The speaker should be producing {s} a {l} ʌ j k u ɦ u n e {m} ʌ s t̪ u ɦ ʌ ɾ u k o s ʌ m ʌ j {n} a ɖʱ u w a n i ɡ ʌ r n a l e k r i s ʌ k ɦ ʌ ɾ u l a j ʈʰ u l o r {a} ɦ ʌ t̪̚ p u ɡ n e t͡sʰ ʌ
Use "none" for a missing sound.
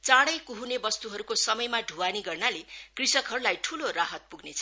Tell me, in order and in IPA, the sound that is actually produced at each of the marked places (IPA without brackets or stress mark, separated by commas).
t͡s, ɽ, b, m, a